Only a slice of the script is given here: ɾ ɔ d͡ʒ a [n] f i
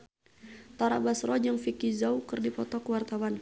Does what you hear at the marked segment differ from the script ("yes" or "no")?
yes